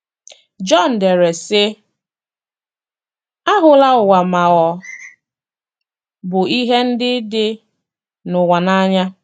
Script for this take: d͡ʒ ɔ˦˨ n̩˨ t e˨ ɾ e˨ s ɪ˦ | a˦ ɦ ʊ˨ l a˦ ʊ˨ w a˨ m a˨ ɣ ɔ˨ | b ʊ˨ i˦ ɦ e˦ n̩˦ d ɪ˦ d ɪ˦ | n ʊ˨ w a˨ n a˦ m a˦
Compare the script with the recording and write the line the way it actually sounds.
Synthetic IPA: d͡ʒ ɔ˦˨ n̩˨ d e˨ ɾ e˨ s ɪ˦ | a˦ ɦ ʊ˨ l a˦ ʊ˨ w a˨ m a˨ ɣ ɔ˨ | b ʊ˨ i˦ ɦ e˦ n̩˦ d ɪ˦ d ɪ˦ | n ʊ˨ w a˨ n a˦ ɲ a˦